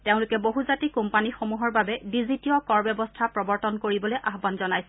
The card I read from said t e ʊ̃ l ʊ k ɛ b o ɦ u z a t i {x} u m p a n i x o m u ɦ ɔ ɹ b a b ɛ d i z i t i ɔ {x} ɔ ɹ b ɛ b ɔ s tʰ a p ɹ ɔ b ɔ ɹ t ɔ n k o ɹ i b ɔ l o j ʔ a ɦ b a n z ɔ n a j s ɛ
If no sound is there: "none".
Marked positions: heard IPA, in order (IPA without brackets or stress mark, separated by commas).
k, k